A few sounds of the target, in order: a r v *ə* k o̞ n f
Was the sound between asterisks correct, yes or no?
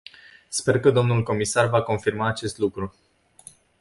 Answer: no